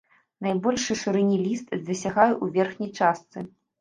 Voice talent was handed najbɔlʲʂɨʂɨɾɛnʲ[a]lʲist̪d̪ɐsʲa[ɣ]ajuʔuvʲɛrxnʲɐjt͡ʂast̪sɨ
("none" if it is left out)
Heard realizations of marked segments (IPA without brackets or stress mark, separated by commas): i, ɣ